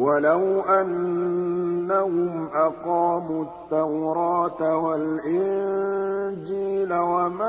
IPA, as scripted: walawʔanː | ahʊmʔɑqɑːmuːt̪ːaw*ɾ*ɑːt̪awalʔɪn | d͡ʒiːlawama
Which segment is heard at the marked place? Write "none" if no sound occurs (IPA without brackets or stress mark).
ɾ